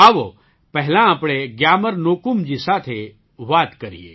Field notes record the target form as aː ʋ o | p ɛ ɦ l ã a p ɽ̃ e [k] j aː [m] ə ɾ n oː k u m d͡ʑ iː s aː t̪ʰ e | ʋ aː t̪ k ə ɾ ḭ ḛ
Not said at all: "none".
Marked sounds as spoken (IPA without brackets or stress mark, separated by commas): ɡ, m